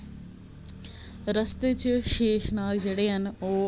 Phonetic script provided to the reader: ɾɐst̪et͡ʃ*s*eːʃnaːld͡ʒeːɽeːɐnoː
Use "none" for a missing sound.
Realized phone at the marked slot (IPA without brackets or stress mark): ʃ